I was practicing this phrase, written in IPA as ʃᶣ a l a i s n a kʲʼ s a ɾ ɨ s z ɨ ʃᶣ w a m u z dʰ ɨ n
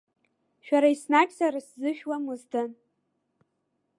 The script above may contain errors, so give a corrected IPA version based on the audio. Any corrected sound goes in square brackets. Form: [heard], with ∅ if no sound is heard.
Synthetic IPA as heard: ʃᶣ a [ɾ] a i s n a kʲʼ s a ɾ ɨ s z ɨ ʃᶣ w a m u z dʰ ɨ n